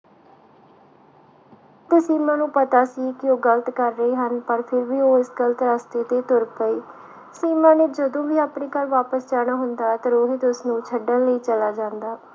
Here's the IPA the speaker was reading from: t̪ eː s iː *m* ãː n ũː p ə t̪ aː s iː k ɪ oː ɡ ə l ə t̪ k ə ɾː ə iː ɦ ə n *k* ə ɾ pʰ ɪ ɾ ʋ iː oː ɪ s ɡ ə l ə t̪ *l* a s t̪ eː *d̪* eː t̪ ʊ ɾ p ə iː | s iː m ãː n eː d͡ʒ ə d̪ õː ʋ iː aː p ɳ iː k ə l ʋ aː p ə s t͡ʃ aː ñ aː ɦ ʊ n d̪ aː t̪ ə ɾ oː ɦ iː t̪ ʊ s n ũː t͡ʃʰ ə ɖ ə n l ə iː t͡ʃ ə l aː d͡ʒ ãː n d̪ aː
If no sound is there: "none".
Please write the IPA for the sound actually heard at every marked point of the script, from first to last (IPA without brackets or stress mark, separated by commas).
m, p, ɾ, t̪